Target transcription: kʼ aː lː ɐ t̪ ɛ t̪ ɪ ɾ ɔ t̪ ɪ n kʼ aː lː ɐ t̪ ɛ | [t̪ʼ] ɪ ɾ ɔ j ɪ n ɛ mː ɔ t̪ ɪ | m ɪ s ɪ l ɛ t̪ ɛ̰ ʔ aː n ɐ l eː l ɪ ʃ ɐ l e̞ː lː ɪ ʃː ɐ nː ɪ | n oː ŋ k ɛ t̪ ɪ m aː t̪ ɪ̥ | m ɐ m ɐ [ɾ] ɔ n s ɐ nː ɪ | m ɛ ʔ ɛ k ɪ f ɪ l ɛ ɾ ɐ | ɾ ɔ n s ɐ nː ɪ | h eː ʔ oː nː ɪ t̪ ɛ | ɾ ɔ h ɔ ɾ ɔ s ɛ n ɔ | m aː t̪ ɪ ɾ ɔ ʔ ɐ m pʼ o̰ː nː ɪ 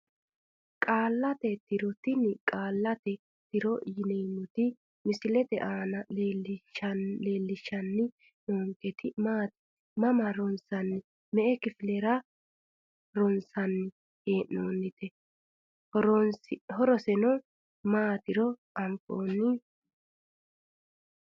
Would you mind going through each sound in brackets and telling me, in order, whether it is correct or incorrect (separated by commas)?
incorrect, correct